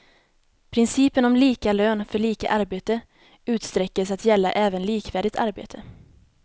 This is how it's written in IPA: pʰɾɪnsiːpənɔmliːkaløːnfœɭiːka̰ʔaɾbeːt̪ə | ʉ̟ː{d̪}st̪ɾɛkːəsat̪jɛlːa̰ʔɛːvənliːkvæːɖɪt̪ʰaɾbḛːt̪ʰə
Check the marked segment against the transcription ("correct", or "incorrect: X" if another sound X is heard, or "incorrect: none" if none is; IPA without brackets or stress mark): incorrect: t̪